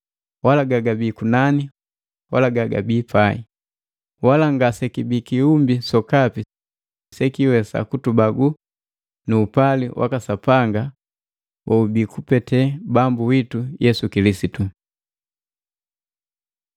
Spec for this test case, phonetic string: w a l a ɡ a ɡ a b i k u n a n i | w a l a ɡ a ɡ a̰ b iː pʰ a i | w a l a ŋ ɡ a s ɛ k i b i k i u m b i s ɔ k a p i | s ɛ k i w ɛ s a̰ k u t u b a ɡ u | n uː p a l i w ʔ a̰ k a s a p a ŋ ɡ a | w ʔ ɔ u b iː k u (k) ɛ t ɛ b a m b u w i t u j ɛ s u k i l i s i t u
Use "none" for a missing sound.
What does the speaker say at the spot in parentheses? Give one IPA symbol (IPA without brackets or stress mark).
p